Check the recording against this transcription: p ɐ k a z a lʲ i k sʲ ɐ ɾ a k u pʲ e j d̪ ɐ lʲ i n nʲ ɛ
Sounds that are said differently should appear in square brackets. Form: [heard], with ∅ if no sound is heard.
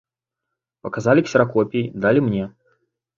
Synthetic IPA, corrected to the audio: p ɐ k a z a lʲ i k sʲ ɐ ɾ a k [ɔ] pʲ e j d̪ [a] lʲ i [m] nʲ ɛ